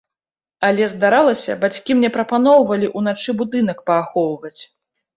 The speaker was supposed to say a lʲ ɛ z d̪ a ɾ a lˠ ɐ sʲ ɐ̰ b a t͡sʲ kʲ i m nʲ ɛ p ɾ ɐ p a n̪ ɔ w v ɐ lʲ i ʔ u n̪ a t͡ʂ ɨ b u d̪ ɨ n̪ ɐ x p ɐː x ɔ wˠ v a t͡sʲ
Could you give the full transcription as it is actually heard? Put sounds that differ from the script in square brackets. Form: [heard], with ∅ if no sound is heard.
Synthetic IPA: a lʲ ɛ z d̪ a ɾ a lˠ ɐ sʲ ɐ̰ b a t͡sʲ kʲ i m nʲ ɛ p ɾ ɐ p a n̪ ɔ w v ɐ lʲ i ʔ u n̪ a t͡ʂ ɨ b u d̪ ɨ n̪ ɐ [k] p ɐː x ɔ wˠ v [ɐ] t͡sʲ